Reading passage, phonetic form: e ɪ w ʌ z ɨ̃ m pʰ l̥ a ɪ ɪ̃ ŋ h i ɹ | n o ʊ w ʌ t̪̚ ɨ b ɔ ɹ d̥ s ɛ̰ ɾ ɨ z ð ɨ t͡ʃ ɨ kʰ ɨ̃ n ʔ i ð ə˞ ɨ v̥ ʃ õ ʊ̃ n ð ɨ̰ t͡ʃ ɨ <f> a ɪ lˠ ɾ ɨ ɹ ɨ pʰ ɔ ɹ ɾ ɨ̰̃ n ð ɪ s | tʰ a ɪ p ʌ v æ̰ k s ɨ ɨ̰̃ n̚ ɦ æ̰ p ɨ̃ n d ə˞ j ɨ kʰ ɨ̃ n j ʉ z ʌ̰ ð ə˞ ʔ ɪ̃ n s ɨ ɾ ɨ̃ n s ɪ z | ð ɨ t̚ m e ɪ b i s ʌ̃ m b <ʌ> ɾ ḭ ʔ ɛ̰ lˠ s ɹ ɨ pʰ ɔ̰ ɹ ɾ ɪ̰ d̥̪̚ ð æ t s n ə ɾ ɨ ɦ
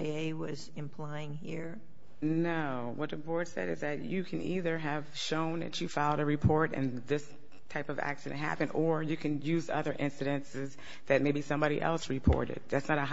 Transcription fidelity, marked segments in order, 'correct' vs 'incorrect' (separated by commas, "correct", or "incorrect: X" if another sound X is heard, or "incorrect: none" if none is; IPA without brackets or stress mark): correct, incorrect: ɑ